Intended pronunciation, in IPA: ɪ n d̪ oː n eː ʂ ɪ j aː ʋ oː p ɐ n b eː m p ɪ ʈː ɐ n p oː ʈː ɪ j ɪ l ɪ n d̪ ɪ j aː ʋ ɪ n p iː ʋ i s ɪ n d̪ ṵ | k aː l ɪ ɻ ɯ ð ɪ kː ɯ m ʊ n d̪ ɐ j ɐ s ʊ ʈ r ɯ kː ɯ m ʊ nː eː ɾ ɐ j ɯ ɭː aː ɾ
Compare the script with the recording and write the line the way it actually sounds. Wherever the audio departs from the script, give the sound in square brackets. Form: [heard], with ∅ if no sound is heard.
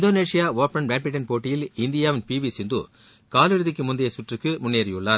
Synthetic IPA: ɪ n d̪ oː n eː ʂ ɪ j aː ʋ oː p ɐ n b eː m p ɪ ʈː ɐ n p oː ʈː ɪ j ɪ l ɪ n d̪ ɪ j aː ʋ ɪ n p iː ʋ i s ɪ n d̪ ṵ | k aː l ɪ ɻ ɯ ð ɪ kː ɯ m ʊ n d̪ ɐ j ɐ s ʊ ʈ r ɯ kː ɯ m ʊ nː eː ɾ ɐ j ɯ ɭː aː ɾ